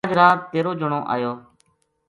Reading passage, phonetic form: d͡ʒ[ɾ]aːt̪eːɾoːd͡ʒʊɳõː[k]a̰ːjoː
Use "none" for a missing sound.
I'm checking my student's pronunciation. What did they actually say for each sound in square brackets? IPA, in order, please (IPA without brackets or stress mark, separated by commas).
ɾ, ʔ